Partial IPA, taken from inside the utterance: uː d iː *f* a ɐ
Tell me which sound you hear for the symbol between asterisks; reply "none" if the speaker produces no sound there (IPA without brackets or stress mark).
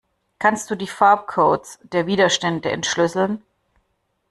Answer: f